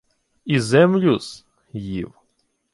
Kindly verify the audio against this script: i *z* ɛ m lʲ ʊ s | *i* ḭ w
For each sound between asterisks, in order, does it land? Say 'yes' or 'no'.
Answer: yes, no

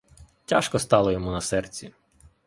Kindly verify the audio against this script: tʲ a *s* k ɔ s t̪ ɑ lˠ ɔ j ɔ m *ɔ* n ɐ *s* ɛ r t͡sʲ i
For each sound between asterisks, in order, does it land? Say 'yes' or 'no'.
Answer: no, no, yes

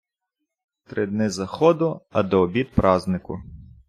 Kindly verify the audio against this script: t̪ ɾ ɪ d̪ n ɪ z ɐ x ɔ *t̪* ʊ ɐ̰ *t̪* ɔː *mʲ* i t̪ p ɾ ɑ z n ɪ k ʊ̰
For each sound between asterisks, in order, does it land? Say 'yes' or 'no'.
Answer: no, no, no

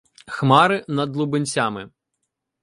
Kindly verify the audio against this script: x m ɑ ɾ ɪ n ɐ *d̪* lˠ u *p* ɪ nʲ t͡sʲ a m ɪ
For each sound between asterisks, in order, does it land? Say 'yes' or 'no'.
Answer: yes, no

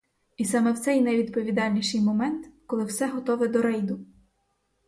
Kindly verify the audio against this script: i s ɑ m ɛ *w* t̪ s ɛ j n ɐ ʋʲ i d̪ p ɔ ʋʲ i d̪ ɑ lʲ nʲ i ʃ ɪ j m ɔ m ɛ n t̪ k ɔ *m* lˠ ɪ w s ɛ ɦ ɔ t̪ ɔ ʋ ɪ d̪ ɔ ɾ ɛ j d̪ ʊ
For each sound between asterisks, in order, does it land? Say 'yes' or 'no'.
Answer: yes, no

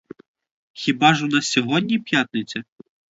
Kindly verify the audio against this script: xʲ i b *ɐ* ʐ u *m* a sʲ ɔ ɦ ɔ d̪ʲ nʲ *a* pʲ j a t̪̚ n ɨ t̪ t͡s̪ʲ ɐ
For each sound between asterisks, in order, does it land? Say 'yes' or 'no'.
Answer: no, no, no

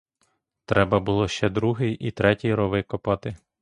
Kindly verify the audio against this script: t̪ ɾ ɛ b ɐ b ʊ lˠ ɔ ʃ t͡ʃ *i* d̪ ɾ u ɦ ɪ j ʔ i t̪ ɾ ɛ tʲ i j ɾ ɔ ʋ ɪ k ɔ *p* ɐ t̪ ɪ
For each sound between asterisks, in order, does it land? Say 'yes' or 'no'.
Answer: no, yes

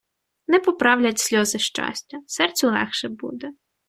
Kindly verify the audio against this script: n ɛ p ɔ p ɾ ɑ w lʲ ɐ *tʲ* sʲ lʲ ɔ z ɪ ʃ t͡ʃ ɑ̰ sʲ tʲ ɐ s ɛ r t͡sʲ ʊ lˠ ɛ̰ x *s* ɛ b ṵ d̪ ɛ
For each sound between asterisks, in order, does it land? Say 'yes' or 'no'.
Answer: yes, no

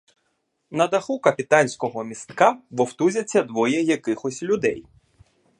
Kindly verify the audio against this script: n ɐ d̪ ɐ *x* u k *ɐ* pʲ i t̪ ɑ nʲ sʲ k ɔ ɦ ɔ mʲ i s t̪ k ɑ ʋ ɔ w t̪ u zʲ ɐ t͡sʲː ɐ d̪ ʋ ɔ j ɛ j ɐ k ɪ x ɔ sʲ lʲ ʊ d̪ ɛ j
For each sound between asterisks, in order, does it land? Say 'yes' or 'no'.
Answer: yes, yes

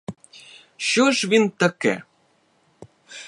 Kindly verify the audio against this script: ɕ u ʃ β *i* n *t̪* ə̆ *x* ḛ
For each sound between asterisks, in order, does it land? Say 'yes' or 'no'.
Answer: yes, yes, no

